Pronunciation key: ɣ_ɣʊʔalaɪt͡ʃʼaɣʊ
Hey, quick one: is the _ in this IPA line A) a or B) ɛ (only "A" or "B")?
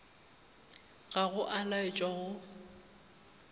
A